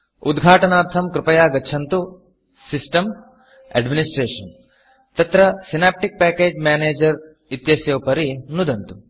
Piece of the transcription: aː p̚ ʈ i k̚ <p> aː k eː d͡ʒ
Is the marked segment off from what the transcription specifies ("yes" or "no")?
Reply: no